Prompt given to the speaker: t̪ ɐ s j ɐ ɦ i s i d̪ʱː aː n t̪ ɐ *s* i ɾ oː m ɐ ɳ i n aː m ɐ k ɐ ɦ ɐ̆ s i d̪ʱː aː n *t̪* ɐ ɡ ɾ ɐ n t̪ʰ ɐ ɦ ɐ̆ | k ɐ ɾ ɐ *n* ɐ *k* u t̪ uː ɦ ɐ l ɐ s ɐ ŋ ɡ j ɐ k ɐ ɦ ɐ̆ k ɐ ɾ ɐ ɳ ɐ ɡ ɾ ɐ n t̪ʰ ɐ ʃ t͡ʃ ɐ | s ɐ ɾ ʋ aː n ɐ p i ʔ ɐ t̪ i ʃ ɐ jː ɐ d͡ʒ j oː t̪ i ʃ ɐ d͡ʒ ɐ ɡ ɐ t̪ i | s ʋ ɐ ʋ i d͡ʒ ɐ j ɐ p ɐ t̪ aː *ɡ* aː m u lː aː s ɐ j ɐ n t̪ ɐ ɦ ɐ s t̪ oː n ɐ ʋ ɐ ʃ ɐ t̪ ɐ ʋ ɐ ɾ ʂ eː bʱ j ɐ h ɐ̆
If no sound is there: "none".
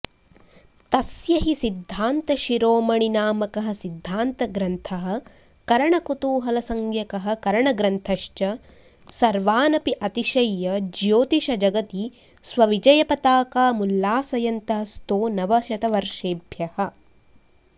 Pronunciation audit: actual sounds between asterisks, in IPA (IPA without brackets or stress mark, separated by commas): ʃ, t̪, ɳ, k, k